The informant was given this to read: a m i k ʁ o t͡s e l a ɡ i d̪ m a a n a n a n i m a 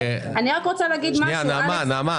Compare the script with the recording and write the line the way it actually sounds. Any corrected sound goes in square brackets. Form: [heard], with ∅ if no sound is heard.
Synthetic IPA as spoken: a [n] i k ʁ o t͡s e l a ɡ i d̪ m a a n a [m] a n [a] m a